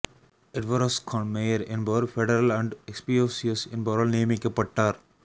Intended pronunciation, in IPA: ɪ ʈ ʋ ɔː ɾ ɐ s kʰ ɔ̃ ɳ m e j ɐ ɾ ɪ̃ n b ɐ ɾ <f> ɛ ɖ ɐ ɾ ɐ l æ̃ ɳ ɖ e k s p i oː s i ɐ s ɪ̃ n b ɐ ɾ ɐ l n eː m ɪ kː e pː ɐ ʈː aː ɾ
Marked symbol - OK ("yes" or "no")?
yes